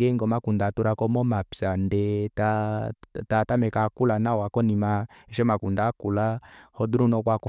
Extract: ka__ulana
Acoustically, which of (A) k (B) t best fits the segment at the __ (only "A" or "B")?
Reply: A